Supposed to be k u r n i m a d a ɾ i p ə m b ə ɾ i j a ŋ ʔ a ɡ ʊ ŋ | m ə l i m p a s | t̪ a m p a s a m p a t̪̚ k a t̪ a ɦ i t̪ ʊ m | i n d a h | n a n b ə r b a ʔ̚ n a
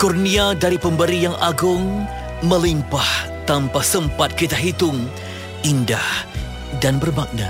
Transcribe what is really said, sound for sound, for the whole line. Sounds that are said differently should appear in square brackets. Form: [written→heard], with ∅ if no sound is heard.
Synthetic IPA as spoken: k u r n i [m→∅] a d a ɾ i p ə m b ə ɾ i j a ŋ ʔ a ɡ ʊ ŋ | m ə l i m p a [s→h] | t̪ a m p a s [a→ə] m p a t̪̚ k [a→i] t̪ a ɦ i t̪ ʊ [m→ŋ] | i n d a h | [n→d] a n b ə r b a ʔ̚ n a